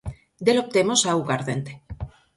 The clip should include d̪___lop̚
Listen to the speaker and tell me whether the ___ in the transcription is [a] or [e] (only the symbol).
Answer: e